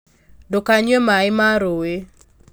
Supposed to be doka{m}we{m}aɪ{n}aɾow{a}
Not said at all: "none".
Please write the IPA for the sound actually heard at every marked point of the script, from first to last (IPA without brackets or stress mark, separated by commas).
ɲ, m, m, e